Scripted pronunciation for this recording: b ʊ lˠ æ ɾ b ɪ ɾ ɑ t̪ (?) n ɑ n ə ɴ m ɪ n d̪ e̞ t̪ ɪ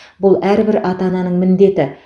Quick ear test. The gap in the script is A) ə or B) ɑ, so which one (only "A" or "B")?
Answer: B